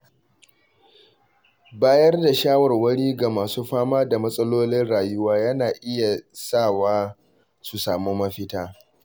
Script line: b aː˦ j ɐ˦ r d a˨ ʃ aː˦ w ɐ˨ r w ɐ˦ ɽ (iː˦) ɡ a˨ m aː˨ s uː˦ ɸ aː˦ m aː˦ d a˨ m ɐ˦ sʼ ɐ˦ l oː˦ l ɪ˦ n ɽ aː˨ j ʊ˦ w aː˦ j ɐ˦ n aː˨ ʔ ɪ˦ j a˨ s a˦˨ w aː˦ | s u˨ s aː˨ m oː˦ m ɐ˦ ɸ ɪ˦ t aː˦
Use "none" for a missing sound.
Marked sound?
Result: iː˦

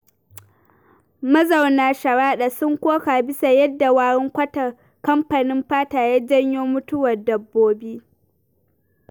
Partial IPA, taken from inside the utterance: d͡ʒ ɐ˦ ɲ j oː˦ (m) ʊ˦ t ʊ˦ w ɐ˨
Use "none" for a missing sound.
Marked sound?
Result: m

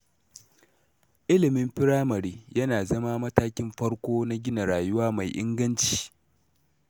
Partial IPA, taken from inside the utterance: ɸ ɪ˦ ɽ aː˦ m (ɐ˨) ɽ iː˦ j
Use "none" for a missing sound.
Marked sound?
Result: ɐ˨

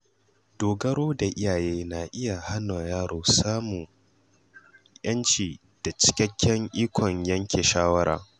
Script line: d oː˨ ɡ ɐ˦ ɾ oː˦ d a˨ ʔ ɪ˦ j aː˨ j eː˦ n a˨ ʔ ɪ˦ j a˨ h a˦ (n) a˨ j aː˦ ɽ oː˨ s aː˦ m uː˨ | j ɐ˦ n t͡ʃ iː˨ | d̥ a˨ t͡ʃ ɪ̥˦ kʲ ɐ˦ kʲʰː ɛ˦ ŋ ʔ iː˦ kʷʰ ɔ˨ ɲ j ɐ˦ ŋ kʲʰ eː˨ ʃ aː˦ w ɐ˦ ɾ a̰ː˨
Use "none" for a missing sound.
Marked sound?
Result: n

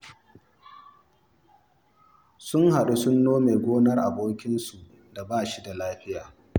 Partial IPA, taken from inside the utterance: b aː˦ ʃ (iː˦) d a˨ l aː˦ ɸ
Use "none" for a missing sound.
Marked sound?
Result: i˦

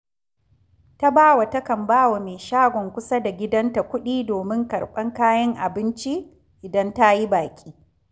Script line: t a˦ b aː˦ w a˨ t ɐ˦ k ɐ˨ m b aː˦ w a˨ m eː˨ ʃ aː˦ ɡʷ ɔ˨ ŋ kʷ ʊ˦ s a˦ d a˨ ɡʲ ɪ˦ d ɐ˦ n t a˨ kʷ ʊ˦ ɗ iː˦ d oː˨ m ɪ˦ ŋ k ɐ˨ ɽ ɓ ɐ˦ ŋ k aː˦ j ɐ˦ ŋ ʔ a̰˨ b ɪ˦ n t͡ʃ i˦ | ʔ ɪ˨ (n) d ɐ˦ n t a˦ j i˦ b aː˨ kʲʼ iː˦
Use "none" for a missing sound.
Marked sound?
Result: none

